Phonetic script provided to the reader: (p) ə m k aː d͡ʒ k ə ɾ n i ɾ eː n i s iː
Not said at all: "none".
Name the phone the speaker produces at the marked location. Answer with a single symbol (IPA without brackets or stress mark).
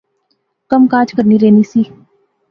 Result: k